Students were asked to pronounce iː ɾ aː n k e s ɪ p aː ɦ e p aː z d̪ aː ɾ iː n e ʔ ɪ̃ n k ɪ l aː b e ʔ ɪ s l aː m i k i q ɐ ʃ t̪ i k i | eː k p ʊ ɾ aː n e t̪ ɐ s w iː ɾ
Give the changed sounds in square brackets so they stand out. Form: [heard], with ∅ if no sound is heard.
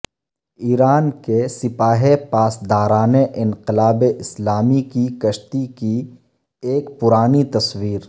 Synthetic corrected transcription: iː ɾ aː n k e s ɪ p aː ɦ e p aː [s] d̪ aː ɾ [aː] n e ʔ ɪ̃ n [q] ɪ l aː b e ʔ ɪ s l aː m i k i [k] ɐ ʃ t̪ i k i | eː k p ʊ ɾ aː n [i] t̪ ɐ s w iː ɾ